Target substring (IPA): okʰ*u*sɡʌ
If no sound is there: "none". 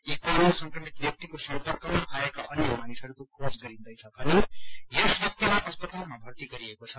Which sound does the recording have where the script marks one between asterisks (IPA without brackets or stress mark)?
o